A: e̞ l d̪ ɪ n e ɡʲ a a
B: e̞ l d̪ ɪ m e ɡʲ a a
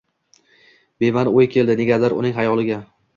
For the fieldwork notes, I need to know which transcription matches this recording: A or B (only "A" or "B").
A